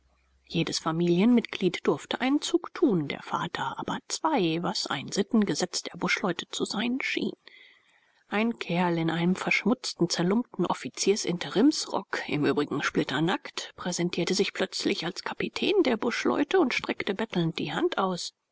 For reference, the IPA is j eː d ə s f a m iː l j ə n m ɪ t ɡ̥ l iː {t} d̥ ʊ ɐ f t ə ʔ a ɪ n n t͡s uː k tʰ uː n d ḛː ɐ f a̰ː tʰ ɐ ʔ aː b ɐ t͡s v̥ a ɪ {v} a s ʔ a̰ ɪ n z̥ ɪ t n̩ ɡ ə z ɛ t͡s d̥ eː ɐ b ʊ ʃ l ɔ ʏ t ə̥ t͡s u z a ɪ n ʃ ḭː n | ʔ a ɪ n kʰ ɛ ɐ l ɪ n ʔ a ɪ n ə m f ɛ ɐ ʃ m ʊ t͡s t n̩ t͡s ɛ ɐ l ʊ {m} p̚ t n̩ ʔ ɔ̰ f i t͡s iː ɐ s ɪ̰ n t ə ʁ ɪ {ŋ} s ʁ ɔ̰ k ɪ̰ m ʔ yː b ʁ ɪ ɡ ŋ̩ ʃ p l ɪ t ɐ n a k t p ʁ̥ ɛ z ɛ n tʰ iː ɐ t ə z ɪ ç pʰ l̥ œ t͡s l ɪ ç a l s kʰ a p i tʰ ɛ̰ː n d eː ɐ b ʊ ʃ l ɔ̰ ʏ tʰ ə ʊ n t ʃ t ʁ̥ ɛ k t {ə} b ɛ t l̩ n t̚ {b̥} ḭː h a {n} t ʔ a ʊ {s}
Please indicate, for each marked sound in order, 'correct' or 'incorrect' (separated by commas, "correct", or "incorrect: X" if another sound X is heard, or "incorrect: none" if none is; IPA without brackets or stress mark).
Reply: correct, correct, correct, incorrect: m, correct, incorrect: d̥, correct, correct